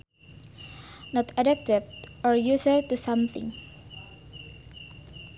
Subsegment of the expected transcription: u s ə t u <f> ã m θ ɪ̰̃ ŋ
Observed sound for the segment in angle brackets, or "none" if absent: s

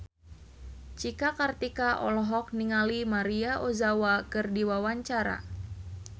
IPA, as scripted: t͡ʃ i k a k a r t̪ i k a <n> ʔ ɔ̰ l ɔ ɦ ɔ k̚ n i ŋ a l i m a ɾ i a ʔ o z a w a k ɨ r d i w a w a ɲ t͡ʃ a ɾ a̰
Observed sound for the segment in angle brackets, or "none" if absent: none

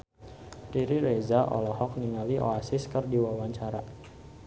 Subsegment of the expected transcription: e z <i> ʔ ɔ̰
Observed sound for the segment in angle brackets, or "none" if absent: a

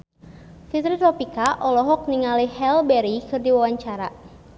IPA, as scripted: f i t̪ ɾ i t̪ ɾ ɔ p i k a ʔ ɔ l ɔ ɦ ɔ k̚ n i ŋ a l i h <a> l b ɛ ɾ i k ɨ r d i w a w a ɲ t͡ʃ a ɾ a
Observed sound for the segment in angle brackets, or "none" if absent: ɛ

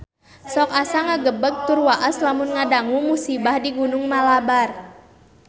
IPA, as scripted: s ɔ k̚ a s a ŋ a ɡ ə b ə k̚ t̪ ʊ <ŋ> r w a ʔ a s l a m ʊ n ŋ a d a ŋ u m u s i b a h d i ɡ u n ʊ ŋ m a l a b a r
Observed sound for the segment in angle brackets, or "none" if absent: none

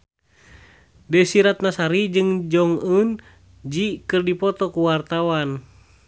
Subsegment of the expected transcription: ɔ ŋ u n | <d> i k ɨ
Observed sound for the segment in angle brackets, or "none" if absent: d͡ʒ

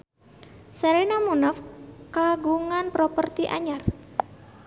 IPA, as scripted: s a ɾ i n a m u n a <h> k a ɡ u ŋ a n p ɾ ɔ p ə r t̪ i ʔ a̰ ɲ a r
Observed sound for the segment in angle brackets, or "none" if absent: f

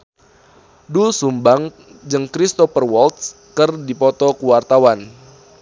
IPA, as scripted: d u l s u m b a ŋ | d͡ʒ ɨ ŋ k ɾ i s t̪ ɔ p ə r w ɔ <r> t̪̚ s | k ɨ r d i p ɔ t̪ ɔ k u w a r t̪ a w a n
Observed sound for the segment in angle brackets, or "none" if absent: l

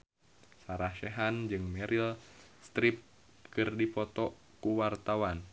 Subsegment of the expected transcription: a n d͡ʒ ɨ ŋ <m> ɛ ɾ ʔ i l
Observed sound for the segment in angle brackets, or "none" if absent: m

